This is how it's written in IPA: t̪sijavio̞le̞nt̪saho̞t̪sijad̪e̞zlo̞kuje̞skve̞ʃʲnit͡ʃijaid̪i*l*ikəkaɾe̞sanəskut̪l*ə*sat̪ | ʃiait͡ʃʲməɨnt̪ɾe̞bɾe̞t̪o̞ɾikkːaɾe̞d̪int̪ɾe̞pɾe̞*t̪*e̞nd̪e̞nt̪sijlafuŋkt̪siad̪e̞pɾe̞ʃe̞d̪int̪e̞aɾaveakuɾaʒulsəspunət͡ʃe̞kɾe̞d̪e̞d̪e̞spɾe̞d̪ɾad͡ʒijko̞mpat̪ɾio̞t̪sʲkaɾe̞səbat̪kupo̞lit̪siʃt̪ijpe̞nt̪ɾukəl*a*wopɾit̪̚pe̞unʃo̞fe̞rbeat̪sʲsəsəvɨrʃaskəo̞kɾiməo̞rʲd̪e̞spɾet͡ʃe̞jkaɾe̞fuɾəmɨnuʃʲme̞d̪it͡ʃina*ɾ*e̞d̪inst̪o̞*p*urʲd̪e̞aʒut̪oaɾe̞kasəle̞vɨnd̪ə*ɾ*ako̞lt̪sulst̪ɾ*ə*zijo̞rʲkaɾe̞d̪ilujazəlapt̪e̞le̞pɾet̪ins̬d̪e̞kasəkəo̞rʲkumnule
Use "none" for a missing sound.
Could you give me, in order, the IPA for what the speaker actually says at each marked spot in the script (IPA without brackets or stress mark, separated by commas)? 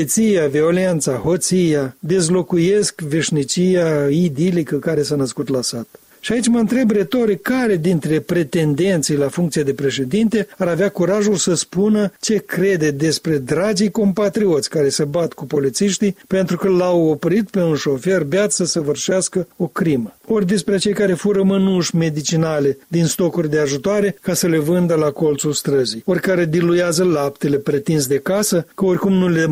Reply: l, a, t̪, a, l, k, l, ə